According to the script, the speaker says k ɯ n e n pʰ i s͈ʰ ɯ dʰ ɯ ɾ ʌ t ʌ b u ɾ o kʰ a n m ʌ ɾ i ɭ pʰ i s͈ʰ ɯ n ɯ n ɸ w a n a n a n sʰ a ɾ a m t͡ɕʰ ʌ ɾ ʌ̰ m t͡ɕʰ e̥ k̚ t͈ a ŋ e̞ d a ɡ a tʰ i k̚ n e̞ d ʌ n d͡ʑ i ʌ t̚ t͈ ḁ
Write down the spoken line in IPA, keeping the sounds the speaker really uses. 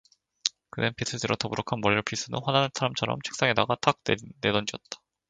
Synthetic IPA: k ɯ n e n pʰ i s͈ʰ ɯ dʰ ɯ ɾ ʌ t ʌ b u ɾ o kʰ a n m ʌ ɾ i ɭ pʰ i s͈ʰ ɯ n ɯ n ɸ w a n a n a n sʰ a ɾ a m t͡ɕʰ ʌ ɾ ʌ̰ m t͡ɕʰ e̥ k̚ s͈ a ŋ e̞ d a ɡ a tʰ a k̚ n e̞ d ʌ n d͡ʑ i ʌ t̚ t͈ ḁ